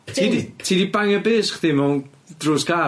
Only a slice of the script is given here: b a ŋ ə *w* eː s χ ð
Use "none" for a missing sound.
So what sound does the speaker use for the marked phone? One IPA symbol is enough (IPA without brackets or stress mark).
b